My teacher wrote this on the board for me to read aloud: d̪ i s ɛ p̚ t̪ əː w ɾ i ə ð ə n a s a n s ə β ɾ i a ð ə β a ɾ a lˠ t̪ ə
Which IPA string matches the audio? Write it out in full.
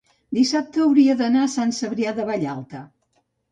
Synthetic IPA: d̪ i s a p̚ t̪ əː w ɾ i ə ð ə n a s a n s ə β ɾ i a ð ə β a ʎ a lˠ t̪ ə